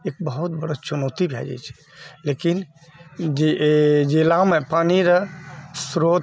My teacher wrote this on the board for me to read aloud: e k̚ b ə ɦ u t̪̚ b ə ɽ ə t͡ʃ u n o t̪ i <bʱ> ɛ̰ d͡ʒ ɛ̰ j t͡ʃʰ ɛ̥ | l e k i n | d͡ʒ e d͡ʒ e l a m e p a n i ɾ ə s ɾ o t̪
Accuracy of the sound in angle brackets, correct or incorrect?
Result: correct